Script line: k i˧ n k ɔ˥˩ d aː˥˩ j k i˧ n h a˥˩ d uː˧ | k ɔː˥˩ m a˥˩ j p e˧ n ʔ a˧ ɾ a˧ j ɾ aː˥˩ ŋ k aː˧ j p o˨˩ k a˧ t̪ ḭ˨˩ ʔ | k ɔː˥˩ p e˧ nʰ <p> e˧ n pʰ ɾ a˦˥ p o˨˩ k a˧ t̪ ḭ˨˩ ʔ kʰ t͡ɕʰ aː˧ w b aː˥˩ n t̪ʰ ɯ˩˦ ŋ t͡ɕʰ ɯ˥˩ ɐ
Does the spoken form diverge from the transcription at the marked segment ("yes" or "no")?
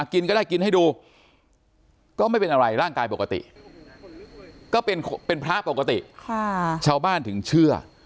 no